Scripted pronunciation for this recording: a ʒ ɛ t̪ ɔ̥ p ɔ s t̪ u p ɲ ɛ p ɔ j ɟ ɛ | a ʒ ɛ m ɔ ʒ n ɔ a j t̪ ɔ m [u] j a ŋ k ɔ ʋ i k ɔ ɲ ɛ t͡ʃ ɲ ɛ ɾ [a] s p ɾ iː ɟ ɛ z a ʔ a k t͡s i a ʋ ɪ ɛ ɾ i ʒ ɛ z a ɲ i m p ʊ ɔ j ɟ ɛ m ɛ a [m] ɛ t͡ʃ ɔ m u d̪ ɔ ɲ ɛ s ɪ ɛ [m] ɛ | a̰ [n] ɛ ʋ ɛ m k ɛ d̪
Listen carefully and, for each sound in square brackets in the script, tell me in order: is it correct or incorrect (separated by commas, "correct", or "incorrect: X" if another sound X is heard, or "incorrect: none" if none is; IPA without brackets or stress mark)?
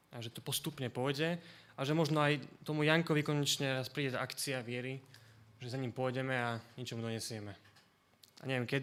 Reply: correct, correct, incorrect: ɲ, correct, incorrect: ɲ